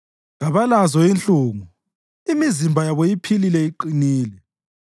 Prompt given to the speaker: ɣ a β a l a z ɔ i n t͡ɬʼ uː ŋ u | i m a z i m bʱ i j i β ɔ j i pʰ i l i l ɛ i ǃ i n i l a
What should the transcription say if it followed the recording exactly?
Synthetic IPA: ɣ a β a l a z ɔ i n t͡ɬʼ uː ŋ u | i m i z i m bʱ a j a β ɔ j i pʰ i l i l ɛ i ǃ i n iː l ɛ